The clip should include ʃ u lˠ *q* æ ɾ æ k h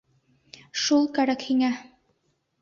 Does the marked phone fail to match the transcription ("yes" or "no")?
yes